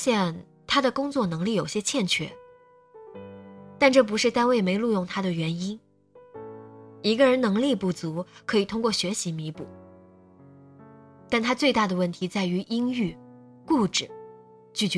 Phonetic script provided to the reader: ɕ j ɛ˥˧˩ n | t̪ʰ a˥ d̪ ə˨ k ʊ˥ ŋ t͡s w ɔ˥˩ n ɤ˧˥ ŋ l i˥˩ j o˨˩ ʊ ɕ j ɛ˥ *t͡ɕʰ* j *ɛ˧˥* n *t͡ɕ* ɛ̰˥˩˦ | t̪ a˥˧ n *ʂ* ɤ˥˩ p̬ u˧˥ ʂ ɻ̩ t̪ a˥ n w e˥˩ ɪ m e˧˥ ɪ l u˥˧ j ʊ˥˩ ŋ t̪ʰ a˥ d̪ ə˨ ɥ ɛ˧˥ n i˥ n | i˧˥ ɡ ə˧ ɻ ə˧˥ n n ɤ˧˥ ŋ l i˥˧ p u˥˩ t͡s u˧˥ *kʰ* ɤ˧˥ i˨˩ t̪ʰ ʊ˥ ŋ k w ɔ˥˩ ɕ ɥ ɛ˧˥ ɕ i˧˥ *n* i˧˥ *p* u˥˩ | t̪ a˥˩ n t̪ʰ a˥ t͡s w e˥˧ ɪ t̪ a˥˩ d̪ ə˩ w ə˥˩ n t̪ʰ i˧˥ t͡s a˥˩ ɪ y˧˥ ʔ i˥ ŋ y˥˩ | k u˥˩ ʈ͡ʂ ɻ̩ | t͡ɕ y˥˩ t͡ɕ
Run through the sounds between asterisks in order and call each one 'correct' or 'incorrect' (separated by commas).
correct, incorrect, incorrect, incorrect, correct, incorrect, correct